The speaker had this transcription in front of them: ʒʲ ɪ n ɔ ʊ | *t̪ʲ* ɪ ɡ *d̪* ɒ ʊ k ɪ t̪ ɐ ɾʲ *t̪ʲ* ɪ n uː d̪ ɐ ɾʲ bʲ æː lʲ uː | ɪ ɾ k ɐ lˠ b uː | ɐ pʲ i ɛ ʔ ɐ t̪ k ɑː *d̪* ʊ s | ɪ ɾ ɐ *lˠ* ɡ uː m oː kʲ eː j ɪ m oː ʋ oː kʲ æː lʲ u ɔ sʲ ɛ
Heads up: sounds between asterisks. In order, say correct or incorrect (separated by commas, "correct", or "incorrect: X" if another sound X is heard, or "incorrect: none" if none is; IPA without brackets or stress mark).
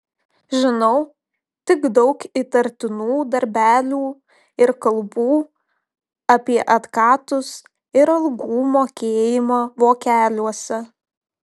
correct, correct, correct, incorrect: t̪, correct